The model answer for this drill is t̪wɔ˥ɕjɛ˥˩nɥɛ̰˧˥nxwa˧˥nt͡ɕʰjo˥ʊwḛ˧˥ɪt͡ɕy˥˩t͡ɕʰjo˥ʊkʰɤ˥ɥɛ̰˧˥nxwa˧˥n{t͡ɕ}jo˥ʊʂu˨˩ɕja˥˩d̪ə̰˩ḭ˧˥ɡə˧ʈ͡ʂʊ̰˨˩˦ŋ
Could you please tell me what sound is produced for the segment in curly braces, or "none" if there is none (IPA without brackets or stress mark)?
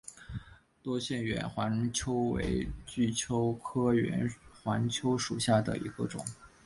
t͡ɕʰ